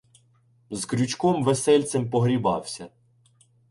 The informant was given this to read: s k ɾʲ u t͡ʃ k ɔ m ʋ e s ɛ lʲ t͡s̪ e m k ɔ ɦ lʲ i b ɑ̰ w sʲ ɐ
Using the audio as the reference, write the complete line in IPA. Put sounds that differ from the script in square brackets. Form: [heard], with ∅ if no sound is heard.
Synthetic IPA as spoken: [z] k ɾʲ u t͡ʃ k ɔ m ʋ e s ɛ lʲ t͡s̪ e m [p] ɔ ɦ [ɾʲ] i b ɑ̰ w sʲ ɐ